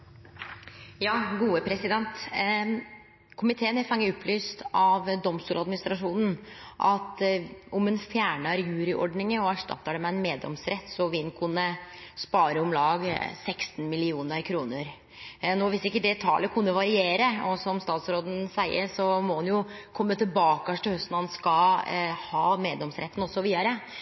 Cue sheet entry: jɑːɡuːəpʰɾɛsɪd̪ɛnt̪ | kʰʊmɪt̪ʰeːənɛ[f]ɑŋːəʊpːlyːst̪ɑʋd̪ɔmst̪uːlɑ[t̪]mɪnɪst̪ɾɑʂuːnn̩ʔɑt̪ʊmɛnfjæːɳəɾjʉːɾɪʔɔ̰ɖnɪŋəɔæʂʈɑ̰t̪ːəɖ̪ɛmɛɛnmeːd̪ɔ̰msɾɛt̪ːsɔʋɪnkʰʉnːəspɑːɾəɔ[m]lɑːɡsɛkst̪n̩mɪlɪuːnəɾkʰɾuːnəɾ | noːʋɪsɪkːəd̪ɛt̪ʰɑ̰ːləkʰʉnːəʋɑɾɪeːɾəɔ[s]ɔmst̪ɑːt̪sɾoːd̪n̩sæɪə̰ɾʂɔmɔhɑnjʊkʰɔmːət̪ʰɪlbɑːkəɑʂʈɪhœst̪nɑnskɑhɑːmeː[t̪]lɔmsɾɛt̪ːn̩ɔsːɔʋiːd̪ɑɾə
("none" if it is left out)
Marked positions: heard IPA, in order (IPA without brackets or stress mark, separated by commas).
f, d̪, m, s, d̪